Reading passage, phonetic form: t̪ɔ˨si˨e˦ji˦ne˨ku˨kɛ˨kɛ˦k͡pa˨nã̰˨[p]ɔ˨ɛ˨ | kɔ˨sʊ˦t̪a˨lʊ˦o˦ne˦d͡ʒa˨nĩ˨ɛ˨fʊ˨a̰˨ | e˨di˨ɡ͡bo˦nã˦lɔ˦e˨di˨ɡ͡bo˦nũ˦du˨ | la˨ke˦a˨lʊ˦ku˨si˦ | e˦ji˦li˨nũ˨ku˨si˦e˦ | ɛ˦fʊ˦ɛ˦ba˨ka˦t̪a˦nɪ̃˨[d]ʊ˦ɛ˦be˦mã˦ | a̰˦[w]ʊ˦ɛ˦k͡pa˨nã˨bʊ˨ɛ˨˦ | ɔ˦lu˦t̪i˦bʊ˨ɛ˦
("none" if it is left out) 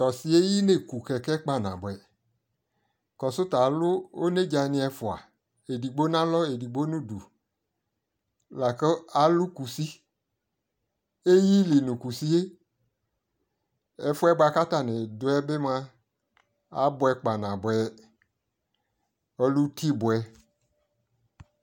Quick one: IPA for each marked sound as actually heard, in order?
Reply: b, d, b

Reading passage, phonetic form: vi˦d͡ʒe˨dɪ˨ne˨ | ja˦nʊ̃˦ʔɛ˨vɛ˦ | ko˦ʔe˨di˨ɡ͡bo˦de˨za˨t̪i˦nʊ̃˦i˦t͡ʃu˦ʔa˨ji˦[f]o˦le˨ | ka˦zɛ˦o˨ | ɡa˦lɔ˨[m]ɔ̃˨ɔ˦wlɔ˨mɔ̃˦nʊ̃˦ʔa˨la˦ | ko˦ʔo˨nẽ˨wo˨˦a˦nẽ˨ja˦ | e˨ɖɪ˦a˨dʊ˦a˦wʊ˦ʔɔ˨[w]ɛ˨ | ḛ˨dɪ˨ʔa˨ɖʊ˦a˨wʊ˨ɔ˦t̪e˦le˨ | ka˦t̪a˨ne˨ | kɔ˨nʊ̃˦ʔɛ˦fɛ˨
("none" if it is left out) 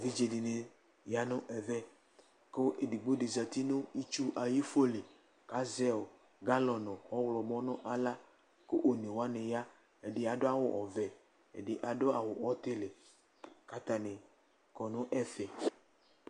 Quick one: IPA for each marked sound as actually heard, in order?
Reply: f, n, v

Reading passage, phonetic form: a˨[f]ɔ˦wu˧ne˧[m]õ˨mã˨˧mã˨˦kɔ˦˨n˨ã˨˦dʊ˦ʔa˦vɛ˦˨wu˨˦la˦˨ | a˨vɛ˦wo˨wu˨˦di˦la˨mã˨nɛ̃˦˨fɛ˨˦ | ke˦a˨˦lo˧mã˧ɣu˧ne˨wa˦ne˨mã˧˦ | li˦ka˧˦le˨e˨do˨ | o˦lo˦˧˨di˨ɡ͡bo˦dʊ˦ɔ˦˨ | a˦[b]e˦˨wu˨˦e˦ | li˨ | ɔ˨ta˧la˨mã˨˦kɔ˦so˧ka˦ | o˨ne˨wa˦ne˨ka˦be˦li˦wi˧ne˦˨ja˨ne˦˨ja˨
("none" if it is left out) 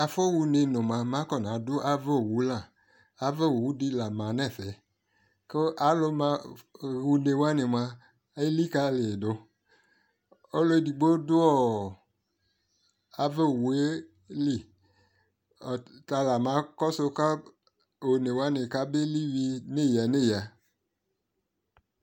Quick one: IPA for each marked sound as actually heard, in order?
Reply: f, n, v

